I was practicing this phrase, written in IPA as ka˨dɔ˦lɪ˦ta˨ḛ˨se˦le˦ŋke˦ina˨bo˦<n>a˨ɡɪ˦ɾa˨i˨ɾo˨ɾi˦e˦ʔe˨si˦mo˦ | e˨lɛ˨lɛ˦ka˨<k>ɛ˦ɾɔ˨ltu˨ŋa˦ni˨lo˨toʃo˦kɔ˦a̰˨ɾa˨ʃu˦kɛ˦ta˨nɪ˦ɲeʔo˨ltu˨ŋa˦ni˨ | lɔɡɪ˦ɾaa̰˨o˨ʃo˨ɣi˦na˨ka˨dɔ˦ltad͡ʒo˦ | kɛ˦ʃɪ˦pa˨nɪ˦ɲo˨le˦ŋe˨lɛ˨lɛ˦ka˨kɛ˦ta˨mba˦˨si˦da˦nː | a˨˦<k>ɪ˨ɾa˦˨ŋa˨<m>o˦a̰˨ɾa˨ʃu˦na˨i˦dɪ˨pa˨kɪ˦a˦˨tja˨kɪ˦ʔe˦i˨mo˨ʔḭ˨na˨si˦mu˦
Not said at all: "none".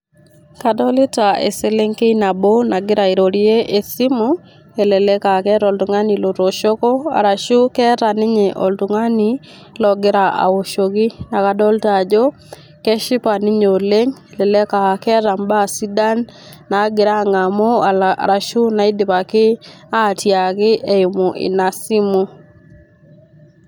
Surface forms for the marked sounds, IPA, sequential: n, k, ɡ, m

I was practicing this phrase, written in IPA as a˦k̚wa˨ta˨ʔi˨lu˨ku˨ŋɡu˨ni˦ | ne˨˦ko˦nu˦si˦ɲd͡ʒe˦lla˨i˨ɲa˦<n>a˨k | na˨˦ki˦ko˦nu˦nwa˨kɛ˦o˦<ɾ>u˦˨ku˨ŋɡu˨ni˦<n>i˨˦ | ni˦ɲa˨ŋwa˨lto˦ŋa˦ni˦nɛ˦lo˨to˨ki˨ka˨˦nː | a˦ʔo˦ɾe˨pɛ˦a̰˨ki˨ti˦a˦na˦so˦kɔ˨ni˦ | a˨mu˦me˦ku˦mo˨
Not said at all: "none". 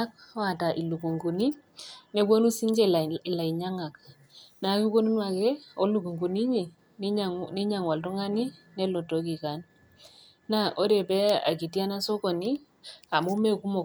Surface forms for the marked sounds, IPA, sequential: ŋ, l, ɲ

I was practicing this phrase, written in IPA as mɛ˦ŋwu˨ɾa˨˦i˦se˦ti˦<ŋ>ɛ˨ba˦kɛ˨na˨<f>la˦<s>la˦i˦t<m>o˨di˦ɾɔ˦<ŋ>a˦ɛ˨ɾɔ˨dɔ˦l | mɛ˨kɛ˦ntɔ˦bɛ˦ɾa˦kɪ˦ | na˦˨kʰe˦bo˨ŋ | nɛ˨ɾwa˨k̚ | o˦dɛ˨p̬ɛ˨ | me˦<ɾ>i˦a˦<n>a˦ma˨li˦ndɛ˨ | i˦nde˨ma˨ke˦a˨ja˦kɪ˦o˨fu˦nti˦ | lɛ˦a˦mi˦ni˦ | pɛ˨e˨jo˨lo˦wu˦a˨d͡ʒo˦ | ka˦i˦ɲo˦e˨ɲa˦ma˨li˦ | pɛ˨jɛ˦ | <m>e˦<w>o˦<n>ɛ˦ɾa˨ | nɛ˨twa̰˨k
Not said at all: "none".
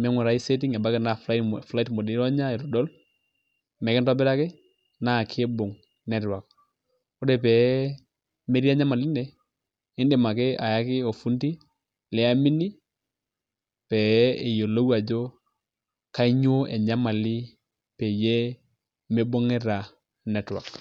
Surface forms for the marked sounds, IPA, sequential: ŋ, f, f, m, ɲ, ɾ, ɲ, m, b, ŋ

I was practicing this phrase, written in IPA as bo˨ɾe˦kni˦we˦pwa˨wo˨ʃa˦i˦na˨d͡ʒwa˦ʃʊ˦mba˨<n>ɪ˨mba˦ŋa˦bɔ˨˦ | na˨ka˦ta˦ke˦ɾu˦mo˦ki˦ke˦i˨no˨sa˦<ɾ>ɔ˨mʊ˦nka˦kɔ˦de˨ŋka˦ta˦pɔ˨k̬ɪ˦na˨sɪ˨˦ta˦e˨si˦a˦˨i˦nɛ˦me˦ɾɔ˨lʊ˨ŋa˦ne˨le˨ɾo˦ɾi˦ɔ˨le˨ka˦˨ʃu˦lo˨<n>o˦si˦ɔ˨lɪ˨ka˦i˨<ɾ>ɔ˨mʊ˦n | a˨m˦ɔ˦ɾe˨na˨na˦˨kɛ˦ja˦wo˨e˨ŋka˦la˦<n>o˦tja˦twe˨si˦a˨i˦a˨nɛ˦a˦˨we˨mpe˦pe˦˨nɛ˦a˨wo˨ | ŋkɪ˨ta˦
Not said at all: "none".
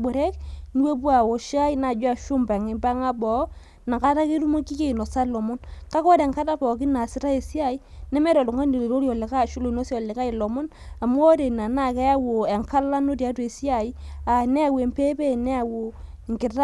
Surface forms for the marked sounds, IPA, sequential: ŋ, l, n, l, n

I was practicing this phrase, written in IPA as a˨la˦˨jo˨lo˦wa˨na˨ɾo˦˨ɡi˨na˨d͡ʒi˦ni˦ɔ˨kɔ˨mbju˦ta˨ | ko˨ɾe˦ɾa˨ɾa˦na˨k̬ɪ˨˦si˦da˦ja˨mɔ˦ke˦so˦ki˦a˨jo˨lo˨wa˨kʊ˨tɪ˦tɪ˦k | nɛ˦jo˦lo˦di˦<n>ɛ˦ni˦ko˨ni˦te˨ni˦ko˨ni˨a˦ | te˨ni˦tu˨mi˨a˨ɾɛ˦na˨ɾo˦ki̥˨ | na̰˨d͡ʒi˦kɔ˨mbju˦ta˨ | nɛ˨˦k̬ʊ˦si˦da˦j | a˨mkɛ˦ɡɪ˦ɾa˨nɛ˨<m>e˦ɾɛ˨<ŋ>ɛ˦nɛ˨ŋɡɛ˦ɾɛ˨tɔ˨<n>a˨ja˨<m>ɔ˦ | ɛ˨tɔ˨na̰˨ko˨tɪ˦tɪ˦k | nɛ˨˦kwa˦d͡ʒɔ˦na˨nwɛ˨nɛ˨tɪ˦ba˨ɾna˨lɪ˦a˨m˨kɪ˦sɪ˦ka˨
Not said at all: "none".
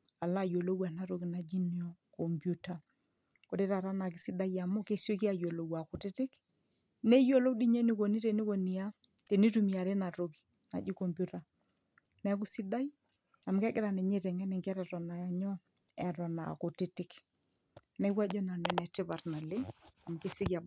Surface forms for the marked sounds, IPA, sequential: ɲ, ɲ, ŋ, n, ɲ

